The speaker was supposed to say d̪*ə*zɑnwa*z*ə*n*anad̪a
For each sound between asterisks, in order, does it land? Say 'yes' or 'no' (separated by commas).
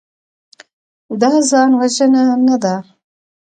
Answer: no, no, yes